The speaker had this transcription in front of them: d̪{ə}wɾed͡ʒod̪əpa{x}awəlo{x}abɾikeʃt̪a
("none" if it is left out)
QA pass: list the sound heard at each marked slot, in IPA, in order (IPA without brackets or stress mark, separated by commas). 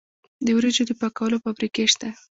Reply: ə, k, f